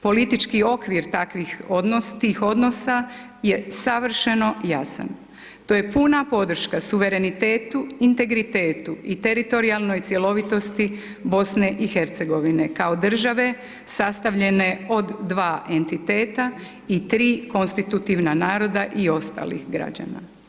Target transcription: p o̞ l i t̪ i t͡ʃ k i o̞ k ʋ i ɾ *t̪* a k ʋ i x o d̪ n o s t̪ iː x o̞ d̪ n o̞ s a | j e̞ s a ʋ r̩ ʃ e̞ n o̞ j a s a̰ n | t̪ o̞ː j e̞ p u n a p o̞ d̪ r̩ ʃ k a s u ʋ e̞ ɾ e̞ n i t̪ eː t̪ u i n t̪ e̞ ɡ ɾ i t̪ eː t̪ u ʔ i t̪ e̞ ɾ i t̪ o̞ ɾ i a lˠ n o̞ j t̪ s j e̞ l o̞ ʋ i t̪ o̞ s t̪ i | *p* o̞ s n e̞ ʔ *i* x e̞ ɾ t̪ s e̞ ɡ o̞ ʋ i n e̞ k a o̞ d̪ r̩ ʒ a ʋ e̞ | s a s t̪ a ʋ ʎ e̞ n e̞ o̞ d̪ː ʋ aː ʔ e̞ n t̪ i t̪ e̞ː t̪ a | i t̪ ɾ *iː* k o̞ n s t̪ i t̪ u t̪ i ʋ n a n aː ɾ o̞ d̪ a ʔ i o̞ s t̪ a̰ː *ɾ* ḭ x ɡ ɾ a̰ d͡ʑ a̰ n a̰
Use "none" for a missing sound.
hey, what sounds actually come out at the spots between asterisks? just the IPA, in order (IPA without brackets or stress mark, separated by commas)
t̪, b, i, iː, l